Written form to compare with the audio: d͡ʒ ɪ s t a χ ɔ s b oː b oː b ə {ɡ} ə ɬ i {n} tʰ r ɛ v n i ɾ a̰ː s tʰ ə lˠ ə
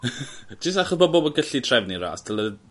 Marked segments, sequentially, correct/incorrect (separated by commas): correct, incorrect